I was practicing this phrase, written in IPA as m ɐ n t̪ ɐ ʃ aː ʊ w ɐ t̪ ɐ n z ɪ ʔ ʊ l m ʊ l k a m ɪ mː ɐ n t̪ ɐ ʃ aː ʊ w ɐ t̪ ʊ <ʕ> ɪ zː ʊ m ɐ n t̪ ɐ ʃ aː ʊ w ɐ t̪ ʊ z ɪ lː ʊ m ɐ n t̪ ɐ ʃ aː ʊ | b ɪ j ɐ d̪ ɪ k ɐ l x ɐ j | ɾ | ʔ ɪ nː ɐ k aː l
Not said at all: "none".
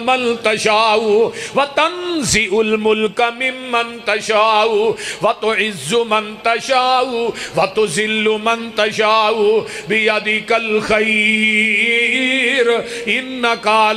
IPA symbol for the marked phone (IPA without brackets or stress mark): ʕ